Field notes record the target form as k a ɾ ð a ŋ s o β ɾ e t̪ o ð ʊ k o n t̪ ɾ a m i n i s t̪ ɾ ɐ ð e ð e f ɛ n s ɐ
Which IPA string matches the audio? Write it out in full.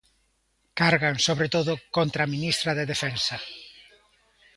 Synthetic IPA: k a ɾ ɣ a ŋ s o β ɾ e t̪ o ð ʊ k o n t̪ ɾ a m i n i s t̪ ɾ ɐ ð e ð e f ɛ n s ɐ